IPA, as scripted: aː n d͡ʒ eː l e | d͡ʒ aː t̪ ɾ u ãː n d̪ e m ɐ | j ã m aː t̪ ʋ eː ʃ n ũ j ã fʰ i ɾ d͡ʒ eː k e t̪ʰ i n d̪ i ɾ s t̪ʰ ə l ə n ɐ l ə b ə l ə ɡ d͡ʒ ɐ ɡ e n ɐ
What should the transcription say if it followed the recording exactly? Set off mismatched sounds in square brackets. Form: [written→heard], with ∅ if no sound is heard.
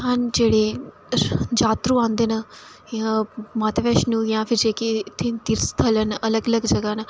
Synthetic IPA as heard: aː n d͡ʒ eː [l→ɽ] e | d͡ʒ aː t̪ ɾ u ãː n d̪ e [m→n] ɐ | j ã m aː t̪ ʋ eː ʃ n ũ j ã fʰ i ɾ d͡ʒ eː k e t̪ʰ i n [d̪→t̪] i ɾ s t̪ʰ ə l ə n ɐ l ə [b→ɡ] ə l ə ɡ d͡ʒ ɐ ɡ [e→a] n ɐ